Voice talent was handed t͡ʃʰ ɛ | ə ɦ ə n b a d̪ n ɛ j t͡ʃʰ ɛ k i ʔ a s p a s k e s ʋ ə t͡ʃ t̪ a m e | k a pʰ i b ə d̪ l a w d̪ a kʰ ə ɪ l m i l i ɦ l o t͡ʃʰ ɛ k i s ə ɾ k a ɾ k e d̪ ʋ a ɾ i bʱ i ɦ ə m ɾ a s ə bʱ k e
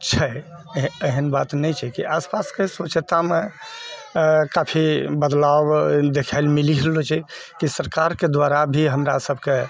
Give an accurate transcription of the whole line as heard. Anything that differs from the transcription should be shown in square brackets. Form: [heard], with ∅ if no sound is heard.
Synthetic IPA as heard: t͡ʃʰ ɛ | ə ɦ ə n b a [t̪] n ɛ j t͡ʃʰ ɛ k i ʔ a s p a s k e s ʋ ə t͡ʃ t̪ a m e | k a pʰ i b ə d̪ l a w d̪ [e] kʰ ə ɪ l m i l i ɦ l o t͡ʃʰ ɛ k i s ə ɾ k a ɾ k e d̪ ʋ a ɾ [a] bʱ i ɦ ə m ɾ a s ə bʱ k e

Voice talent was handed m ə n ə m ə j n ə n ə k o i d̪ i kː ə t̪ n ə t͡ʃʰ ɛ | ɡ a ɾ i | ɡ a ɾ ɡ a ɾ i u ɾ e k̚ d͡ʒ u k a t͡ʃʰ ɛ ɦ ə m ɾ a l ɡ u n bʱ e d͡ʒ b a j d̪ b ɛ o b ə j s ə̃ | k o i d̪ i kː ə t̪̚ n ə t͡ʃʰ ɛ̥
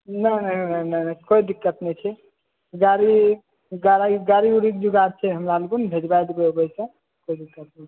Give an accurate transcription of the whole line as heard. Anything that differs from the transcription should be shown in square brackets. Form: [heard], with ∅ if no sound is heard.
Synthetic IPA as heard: [n] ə n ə [n] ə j n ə n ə k o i d̪ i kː ə t̪ n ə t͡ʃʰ ɛ | ɡ a ɾ i | ɡ a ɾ ɡ a ɾ i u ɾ [i] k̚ d͡ʒ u [ɡ] a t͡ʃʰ ɛ ɦ ə m ɾ a l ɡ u n bʱ e d͡ʒ b a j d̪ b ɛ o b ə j s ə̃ | k o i d̪ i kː ə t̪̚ n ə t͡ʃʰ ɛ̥

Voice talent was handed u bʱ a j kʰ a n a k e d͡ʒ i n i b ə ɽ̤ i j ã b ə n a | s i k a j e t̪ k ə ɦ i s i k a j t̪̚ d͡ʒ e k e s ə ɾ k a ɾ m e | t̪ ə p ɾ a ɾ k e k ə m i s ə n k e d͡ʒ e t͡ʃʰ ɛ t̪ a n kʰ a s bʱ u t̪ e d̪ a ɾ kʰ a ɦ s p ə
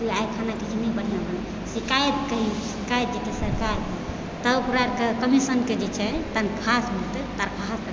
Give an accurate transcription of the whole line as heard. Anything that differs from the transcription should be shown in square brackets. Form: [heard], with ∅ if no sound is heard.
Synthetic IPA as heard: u [∅] a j kʰ a n a k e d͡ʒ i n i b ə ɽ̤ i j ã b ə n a | s i k a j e t̪ k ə ɦ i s i k a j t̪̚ d͡ʒ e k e s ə ɾ k a ɾ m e | t̪ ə p ɾ a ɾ k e k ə m i s ə n k e d͡ʒ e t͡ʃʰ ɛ t̪ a n kʰ a s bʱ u t̪ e [t̪] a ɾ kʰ a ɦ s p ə

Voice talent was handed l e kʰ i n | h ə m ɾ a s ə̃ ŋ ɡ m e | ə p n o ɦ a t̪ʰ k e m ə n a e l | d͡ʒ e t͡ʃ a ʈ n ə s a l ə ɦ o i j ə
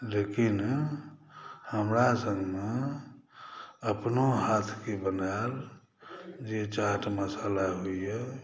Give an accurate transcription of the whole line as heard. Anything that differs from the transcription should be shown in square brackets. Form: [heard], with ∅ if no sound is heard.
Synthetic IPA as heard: l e [k] i n | h ə m ɾ a s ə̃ ŋ ɡ m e | ə p n o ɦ a t̪ʰ k e [b] ə n a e l | d͡ʒ e t͡ʃ a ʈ [m] ə s a l [a] ɦ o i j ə

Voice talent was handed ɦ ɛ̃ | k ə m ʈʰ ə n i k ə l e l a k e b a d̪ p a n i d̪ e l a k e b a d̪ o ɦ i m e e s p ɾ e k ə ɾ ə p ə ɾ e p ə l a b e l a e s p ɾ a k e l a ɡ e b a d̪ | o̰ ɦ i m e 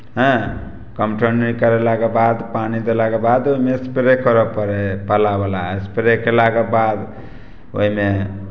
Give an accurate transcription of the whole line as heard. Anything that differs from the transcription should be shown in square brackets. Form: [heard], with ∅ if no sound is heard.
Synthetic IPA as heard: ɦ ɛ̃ | k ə m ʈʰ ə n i k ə [ɾ] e l a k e b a d̪ p a n i d̪ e l a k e b a d̪ o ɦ i m e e s p ɾ e k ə ɾ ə p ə ɾ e p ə l a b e l a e s p ɾ [e] k e l a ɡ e b a d̪ | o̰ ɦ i m e

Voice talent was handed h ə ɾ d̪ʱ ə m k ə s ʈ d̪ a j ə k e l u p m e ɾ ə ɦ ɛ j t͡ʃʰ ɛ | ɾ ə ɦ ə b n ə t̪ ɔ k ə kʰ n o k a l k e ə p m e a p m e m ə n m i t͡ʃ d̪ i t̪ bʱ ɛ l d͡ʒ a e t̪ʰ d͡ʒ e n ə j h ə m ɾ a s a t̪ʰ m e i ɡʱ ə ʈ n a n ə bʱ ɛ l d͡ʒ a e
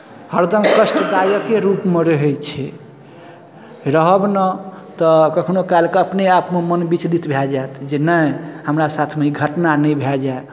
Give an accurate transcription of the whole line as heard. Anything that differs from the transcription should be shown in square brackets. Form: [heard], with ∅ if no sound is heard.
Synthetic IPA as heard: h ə ɾ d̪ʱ ə m k ə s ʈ d̪ a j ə k e [ɾ] u p m e ɾ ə ɦ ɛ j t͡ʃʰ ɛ | ɾ ə ɦ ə b n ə t̪ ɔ k ə kʰ n o k a l k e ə p [n] e a p m e m ə n [b] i t͡ʃ d̪ i t̪ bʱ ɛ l d͡ʒ a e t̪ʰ d͡ʒ e n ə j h ə m ɾ a s a t̪ʰ m e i ɡʱ ə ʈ n a n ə bʱ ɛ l d͡ʒ a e

